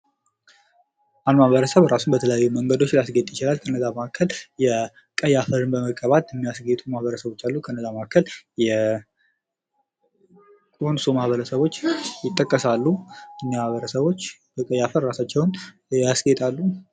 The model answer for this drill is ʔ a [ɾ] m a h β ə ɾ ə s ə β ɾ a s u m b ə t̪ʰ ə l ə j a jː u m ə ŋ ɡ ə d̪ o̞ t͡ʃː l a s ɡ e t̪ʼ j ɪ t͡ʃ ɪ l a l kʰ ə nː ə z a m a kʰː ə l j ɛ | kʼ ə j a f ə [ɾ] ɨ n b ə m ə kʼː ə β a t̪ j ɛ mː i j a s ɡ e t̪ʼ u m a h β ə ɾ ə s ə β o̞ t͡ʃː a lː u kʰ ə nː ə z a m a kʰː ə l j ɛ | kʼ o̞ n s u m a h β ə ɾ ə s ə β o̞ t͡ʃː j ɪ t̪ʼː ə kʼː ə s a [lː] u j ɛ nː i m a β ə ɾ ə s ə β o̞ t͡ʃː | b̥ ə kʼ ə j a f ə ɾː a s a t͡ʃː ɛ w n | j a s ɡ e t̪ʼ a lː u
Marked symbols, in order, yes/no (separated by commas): no, yes, yes